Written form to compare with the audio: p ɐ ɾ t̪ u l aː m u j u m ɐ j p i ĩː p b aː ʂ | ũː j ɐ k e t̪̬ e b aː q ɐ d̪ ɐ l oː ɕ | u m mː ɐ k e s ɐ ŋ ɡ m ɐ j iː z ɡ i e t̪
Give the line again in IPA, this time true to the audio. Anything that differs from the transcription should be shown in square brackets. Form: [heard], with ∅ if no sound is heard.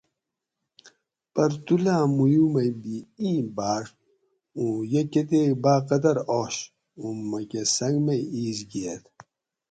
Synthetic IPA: p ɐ ɾ t̪ u l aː m u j u m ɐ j [b] i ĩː [∅] b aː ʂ | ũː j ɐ k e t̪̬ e b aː q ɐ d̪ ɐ [ɾ] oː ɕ | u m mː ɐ k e s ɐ ŋ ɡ m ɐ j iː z ɡ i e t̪

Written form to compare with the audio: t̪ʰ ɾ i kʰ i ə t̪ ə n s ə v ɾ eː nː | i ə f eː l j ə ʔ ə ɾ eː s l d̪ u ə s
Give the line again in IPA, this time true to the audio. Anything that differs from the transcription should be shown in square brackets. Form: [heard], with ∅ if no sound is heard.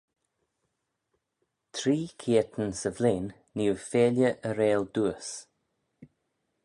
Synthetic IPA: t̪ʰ ɾ [iː] kʰ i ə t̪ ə n s ə v [l] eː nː | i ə f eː l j ə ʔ ə ɾ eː [∅] l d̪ u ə s

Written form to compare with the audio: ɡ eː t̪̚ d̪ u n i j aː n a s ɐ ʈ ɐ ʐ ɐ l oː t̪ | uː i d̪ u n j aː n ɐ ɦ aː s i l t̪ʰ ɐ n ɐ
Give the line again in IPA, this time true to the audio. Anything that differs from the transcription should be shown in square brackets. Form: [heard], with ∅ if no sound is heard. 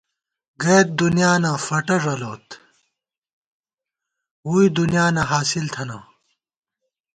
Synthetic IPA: ɡ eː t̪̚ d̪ u n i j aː n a [f] ɐ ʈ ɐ ʐ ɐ l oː t̪ | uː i d̪ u n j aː n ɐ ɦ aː s i l t̪ʰ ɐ n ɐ

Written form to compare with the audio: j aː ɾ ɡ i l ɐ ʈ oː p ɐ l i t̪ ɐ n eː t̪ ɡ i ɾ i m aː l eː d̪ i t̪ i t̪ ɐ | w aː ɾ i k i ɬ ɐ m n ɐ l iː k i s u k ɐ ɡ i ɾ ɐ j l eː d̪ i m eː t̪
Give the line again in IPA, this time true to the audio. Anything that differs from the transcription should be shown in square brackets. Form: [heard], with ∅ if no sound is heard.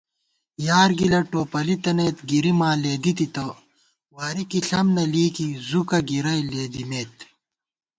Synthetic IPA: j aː ɾ ɡ i l ɐ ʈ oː p ɐ l i t̪ ɐ n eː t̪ ɡ i ɾ i m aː l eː d̪ i t̪ i t̪ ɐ | w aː ɾ i k i ɬ ɐ m n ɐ l iː k i [z] u k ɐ ɡ i ɾ ɐ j l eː d̪ i m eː t̪

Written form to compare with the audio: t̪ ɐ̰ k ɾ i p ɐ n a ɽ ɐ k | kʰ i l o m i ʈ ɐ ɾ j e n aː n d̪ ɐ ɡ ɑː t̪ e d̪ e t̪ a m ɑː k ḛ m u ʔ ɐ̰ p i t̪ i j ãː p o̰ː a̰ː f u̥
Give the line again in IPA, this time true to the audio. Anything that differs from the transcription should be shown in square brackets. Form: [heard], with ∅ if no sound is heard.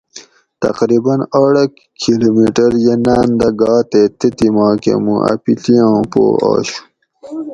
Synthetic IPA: t̪ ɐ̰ [q] ɾ i [b] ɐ n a ɽ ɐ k | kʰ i l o m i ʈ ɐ ɾ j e n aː n d̪ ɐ ɡ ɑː t̪ e [t̪] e t̪ [i] m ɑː k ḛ m u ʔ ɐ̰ p i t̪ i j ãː p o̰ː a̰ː [ɕ] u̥

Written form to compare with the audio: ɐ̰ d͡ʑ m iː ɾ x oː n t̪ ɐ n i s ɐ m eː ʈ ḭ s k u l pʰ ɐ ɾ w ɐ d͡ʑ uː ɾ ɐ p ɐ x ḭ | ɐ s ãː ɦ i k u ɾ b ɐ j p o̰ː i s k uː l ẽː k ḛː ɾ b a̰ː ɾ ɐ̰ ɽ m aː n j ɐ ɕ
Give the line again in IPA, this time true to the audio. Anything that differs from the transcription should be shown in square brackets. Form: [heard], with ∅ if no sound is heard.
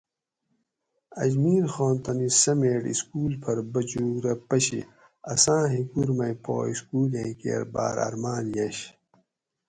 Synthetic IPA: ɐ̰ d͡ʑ m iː ɾ x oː n t̪ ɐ n i s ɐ m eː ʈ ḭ s k [uː] l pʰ ɐ ɾ [b] ɐ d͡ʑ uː ɾ ɐ p ɐ [ɕ] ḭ | ɐ s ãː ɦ i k u ɾ [m] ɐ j p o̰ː i s k uː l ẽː k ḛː ɾ b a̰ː ɾ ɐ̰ [ɾ] m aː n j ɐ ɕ

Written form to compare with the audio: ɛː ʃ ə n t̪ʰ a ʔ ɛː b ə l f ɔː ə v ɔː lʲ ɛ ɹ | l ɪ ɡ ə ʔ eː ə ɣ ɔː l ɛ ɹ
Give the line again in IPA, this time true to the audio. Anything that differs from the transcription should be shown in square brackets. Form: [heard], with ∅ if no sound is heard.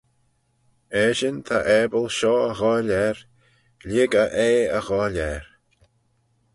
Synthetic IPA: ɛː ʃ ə n t̪ʰ a ʔ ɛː b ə l [ʃ] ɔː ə [ɣ] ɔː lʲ ɛ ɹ | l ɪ ɡ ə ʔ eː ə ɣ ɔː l ɛ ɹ

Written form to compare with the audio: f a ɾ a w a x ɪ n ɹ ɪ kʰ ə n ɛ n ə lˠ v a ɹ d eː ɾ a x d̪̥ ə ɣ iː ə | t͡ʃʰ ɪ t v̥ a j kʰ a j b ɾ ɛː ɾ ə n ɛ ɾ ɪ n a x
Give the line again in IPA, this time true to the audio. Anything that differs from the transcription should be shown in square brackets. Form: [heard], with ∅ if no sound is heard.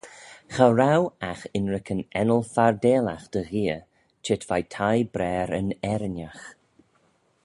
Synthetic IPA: [x] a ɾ a w a x ɪ n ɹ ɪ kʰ ə n ɛ n ə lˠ [f] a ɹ d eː [l] a x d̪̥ ə ɣ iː ə | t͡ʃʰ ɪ t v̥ a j [tʰ] a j b ɾ ɛː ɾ ə n ɛ ɾ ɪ n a x

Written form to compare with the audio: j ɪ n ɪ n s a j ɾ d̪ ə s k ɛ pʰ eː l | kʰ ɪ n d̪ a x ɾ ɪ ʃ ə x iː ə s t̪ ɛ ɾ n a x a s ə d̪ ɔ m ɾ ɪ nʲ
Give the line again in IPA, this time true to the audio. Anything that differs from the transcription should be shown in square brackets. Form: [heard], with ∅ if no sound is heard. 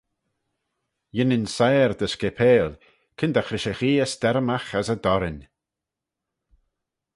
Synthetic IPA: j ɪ n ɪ n s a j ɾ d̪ ə s k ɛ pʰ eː l | kʰ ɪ n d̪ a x ɾ ɪ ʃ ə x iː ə s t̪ ɛ ɾ [m] a x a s ə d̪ ɔ [∅] ɾ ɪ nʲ

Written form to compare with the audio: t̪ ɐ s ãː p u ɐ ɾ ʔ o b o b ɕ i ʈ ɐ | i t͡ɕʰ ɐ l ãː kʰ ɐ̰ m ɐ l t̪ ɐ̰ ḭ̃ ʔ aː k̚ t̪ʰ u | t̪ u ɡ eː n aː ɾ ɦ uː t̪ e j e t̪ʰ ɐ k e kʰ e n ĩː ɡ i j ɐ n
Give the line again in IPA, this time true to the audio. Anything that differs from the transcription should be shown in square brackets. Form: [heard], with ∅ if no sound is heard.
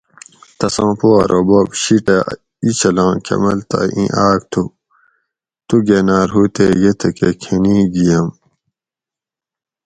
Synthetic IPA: t̪ ɐ s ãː p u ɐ ɾ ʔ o b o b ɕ i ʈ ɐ | i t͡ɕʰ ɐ l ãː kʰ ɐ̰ m ɐ l t̪ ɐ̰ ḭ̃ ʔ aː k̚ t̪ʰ u | t̪ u ɡ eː n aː ɾ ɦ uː t̪ e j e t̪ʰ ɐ k e kʰ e n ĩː ɡ i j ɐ [m]

